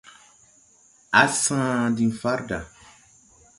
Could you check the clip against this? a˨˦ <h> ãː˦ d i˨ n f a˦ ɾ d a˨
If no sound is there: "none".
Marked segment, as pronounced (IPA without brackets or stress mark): s